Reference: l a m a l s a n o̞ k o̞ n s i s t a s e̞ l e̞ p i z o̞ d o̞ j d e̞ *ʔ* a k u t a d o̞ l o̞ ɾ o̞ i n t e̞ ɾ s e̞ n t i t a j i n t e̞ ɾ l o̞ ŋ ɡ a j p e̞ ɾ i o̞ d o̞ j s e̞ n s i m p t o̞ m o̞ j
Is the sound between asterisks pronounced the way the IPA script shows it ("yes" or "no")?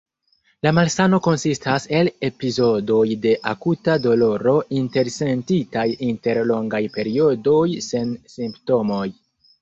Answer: yes